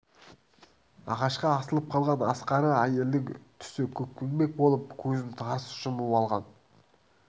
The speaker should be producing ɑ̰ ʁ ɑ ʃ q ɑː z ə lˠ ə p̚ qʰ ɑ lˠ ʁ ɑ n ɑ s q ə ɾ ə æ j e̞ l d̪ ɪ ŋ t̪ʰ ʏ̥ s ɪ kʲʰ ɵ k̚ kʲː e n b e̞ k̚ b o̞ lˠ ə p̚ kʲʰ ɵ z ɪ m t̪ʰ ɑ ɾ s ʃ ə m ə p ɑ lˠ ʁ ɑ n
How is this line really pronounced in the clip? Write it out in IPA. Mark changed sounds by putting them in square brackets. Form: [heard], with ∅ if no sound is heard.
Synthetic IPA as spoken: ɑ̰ ʁ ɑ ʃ q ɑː [s] ə lˠ ə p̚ qʰ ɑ lˠ ʁ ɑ n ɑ s q [ɑ] ɾ ə æ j e̞ l d̪ ɪ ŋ t̪ʰ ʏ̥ s ɪ kʲʰ ɵ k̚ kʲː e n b e̞ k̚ b o̞ lˠ ə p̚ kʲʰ ɵ z ɪ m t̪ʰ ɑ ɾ s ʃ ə m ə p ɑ lˠ ʁ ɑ n